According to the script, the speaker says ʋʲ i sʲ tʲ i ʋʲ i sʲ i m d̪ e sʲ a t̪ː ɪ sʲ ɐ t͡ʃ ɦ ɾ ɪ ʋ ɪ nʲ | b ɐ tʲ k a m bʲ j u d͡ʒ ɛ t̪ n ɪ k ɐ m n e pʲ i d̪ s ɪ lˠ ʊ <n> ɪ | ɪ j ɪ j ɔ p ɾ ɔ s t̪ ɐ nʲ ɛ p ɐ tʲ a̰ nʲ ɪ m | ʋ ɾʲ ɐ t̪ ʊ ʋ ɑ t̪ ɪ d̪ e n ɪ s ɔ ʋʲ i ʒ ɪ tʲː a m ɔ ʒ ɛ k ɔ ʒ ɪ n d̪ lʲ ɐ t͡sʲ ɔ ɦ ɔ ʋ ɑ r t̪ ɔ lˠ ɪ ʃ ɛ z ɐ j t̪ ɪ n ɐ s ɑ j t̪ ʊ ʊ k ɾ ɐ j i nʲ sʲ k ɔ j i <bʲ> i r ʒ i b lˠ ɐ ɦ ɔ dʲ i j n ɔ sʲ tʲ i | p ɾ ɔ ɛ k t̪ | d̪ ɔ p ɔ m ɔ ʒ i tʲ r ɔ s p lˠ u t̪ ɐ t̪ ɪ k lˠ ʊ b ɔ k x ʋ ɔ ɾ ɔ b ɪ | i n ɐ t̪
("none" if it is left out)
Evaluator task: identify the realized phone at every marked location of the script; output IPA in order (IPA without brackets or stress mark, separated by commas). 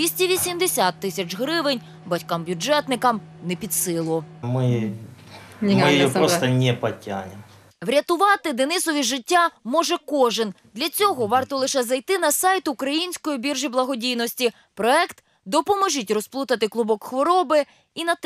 m, bʲ